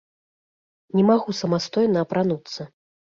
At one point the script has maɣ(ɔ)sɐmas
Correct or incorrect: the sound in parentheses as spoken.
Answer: incorrect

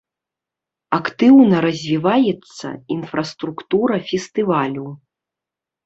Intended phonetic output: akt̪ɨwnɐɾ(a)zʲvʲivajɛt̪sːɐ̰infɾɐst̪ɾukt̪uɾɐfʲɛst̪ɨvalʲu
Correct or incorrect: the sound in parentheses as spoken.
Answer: incorrect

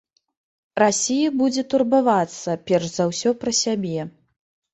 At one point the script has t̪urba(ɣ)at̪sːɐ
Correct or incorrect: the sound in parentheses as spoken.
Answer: incorrect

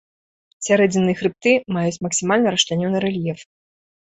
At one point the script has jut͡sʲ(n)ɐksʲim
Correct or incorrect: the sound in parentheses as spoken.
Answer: incorrect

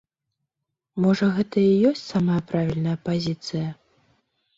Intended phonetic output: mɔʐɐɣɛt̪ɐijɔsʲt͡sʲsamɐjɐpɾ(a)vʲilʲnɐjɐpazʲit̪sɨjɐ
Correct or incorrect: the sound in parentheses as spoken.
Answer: correct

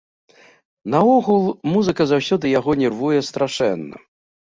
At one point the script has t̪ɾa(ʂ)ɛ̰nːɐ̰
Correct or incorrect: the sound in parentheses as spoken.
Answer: correct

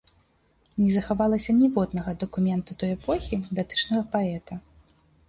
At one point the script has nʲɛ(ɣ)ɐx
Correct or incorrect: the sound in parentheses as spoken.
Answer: incorrect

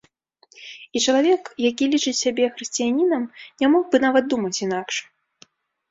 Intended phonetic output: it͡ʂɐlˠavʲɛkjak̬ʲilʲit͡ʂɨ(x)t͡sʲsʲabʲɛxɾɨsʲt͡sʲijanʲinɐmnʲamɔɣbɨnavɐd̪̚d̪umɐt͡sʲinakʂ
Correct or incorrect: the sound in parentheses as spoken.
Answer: incorrect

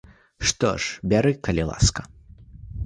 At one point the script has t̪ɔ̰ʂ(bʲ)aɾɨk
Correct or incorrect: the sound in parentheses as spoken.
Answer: correct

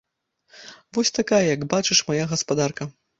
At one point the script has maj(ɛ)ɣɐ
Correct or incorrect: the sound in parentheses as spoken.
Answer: incorrect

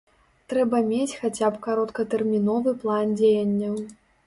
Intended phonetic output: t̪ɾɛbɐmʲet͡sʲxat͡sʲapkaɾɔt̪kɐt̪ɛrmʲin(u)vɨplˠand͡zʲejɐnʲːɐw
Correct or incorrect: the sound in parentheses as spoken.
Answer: incorrect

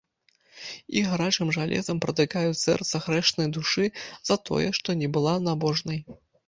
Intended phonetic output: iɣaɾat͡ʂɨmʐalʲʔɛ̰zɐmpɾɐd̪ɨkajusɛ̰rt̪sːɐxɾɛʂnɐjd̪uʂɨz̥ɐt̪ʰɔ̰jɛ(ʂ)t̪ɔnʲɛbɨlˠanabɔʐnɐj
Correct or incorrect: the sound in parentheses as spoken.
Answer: correct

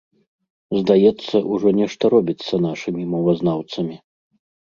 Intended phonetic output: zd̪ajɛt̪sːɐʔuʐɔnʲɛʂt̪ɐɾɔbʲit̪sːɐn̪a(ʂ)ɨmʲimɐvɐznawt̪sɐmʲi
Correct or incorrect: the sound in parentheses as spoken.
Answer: correct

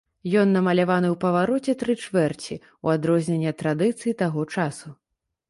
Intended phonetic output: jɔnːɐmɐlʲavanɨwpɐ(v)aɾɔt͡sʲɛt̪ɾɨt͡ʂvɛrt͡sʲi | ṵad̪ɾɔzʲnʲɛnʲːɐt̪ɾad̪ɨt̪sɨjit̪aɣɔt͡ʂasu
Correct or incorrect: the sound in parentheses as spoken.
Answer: correct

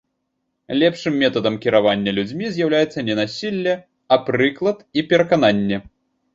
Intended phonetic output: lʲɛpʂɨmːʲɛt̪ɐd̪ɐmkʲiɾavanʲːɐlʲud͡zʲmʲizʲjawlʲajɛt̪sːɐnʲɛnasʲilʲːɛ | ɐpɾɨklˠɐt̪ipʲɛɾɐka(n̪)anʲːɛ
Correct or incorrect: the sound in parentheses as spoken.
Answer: correct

